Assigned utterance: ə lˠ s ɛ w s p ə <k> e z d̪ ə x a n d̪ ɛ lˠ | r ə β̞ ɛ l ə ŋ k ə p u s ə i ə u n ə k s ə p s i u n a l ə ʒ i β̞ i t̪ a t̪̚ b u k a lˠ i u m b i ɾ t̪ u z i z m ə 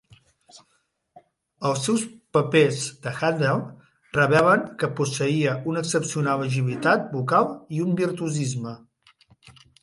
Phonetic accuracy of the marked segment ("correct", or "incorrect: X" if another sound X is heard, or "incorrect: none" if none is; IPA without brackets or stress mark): incorrect: p